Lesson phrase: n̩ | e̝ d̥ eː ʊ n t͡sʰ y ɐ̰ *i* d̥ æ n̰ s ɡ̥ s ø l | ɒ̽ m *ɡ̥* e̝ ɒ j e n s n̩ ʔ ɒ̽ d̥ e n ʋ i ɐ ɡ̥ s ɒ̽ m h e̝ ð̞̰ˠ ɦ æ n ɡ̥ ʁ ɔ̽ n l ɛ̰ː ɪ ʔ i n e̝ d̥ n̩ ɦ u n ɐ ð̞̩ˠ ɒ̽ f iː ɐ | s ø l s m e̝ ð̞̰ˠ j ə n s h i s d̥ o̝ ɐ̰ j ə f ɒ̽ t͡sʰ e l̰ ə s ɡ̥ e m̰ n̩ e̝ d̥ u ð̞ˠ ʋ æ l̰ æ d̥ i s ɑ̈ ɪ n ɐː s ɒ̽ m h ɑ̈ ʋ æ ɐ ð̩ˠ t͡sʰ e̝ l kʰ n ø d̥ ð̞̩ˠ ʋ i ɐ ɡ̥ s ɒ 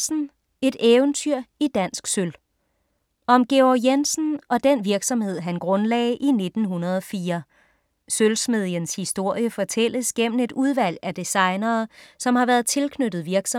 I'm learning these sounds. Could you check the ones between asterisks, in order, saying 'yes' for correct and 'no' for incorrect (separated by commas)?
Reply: yes, yes